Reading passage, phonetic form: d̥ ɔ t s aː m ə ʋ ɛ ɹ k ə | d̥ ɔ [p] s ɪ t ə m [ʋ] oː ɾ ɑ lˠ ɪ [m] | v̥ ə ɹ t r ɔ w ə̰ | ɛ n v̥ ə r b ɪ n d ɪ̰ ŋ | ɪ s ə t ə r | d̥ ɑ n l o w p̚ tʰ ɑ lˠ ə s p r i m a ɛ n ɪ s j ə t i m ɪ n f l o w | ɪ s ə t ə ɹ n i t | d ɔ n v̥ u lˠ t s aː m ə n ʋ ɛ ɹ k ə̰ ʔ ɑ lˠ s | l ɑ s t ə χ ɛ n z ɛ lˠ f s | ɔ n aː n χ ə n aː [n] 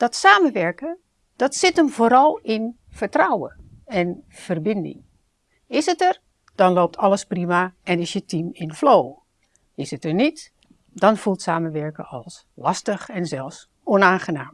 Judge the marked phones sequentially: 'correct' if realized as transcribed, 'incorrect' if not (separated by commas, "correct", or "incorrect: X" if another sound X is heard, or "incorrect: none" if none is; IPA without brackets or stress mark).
incorrect: t, incorrect: v, incorrect: n, incorrect: m